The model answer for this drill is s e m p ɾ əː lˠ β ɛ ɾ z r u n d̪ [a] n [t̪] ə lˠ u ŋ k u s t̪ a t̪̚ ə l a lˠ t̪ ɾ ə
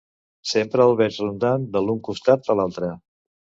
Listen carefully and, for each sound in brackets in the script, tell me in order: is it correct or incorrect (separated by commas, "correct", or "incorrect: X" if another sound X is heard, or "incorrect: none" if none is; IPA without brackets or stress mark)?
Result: correct, incorrect: d̪